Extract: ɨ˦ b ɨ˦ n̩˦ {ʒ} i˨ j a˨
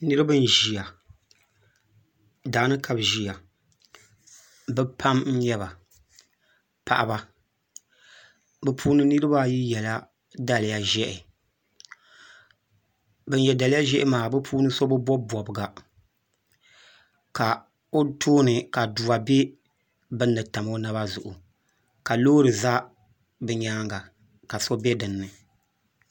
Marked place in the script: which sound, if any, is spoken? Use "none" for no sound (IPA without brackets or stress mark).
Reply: ʒ